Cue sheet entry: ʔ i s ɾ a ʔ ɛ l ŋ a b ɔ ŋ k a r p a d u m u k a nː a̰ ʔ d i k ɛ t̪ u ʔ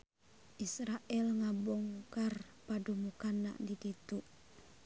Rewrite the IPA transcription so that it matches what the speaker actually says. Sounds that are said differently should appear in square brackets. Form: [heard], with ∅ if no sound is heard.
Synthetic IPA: ʔ i s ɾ a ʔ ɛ l ŋ a b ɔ ŋ k a r p a d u m u k a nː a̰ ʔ d i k [i] t̪ u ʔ